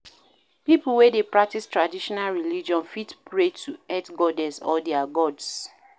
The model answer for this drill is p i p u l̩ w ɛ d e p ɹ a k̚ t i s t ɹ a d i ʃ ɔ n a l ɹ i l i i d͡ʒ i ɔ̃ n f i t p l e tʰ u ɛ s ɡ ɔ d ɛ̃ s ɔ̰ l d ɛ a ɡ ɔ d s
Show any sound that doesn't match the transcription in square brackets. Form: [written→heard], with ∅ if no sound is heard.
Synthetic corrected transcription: p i p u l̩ w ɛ d e p ɹ a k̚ t i s t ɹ a d i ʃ ɔ n a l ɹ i l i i d͡ʒ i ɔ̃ n f i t p [l→ɹ] e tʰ u ɛ [s→t] ɡ ɔ d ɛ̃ s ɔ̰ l d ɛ a ɡ ɔ d s